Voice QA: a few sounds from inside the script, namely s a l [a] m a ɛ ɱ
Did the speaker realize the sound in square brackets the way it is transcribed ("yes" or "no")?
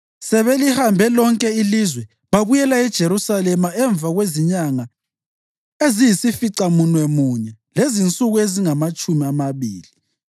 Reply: no